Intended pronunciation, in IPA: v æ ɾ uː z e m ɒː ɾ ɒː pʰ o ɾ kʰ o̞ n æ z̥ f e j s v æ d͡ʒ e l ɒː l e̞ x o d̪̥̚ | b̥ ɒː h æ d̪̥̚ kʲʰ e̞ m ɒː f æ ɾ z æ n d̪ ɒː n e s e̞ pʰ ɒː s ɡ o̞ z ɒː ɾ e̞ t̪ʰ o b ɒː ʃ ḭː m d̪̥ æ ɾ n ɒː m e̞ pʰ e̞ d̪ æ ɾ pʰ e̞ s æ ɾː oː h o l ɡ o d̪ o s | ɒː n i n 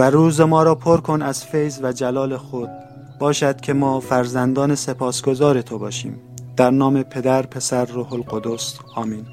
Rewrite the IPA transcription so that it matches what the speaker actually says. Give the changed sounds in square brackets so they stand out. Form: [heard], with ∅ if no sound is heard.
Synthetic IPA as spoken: v æ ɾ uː z e m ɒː ɾ ɒː pʰ o ɾ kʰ o̞ n æ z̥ f e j [z] v æ d͡ʒ [æ] l ɒː l e̞ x o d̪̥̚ | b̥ ɒː [ʃ] æ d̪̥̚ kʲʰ e̞ m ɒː f æ ɾ z æ n d̪ ɒː n e s e̞ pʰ ɒː s ɡ o̞ z ɒː ɾ e̞ t̪ʰ o b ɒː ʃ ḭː m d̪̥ æ ɾ n ɒː m e̞ pʰ e̞ d̪ æ ɾ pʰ e̞ s æ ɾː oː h o l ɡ o d̪ o s | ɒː [m] i n